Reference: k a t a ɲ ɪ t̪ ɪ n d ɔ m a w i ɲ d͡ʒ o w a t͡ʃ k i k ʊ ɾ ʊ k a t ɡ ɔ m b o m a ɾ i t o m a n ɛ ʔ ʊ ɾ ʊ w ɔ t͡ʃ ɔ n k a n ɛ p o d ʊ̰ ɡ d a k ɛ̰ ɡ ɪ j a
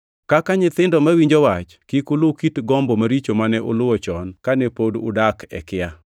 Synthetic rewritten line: k a k a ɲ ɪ t̪ ɪ n d ɔ m a w i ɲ d͡ʒ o w a t͡ʃ k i k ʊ l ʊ k i t ɡ ɔ m b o m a ɾ i t͡ʃ o m a n ɛ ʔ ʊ l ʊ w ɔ t͡ʃ ɔ n k a n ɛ p o d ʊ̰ d a k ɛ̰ k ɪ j a